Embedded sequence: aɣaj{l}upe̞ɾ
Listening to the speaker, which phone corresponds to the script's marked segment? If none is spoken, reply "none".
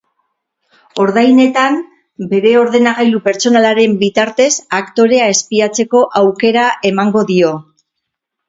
l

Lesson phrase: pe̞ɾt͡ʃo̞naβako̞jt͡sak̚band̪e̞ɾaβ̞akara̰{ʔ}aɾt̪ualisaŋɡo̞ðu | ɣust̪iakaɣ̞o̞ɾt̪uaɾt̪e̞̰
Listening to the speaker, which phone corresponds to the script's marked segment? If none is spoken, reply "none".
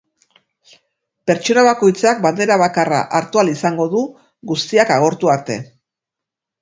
ʔ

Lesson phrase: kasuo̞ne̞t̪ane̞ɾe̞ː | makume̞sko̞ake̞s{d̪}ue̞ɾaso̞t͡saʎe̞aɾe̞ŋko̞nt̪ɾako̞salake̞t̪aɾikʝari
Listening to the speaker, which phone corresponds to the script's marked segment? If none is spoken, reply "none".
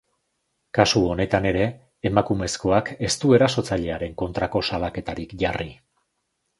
t̪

